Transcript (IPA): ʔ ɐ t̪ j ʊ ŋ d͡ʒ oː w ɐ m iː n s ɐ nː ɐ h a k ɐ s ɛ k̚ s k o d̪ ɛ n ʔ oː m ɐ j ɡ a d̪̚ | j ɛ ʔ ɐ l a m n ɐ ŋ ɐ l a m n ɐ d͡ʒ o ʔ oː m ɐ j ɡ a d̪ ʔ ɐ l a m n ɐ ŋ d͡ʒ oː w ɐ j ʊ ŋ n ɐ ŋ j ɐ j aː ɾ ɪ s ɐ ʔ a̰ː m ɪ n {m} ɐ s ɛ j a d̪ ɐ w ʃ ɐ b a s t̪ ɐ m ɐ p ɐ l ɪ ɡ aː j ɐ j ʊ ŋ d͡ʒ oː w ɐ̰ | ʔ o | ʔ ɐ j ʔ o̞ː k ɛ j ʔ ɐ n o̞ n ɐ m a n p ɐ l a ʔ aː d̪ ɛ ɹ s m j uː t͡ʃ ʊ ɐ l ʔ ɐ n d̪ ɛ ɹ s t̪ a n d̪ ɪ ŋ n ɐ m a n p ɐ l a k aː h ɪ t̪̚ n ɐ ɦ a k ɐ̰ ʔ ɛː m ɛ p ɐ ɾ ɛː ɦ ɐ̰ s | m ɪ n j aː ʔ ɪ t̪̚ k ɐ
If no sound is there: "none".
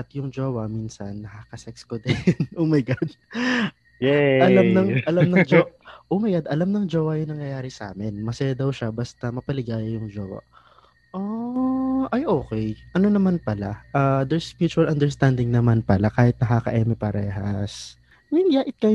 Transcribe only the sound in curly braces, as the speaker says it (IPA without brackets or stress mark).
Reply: m